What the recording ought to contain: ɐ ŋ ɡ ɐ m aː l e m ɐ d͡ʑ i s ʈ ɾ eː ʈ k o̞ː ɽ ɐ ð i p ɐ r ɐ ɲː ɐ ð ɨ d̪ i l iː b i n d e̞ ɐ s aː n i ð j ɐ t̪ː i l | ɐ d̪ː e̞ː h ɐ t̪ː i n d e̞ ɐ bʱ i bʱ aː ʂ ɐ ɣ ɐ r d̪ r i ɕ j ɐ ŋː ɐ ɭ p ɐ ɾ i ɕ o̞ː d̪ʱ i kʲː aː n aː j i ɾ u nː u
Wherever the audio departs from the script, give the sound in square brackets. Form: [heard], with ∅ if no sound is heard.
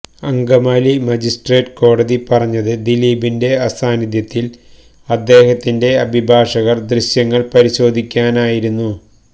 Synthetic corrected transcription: ɐ ŋ ɡ ɐ m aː l [i] m ɐ d͡ʑ i s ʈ [r] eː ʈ k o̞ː ɽ ɐ ð i p ɐ r ɐ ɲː ɐ ð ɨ d̪ i l iː b i n d e̞ ɐ s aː n i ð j ɐ t̪ː i l | ɐ d̪ː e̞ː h ɐ t̪ː i n d e̞ ɐ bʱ i bʱ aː ʂ ɐ ɣ ɐ r d̪ r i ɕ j ɐ ŋː ɐ ɭ p ɐ ɾ i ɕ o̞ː d̪ʱ i kʲː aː n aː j i ɾ u nː u